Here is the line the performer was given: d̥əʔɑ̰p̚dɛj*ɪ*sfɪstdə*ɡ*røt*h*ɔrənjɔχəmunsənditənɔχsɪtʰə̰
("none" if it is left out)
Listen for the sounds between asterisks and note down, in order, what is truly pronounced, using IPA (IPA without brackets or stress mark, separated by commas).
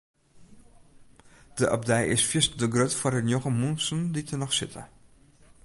ɪ, ɡ, f